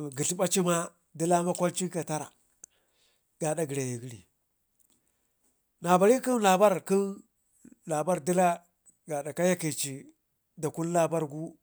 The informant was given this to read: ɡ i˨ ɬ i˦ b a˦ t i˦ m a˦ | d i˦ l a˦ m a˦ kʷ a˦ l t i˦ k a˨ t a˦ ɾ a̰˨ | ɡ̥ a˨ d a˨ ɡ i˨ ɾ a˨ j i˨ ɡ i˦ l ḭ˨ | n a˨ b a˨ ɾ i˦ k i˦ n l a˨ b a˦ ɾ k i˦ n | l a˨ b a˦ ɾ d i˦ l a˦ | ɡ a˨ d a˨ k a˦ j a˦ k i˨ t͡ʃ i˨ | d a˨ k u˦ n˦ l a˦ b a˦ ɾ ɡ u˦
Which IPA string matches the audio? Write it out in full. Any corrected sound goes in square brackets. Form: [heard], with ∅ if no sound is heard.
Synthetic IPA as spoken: ɡ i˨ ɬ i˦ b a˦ [t͡ʃ] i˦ m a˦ | d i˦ l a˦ m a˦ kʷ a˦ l [t͡ʃ] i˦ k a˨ t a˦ ɾ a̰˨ | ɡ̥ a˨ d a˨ ɡ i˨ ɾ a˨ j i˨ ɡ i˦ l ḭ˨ | n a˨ b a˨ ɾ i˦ k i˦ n l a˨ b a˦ ɾ k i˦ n | l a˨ b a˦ ɾ d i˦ l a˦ | ɡ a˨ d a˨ k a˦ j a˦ k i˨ t͡ʃ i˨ | d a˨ k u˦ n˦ l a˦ b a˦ ɾ ɡ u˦